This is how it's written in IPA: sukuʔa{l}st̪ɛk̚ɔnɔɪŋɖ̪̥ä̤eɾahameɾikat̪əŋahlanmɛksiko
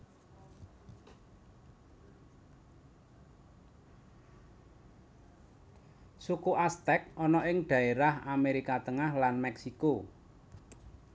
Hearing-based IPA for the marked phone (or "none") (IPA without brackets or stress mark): none